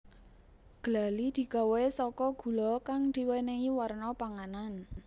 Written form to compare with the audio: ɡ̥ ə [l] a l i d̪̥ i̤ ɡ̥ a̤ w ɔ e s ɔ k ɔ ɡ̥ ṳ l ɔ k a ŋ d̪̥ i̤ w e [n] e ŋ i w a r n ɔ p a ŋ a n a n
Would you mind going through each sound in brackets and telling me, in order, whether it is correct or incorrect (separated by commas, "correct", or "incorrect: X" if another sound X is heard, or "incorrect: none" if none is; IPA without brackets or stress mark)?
correct, correct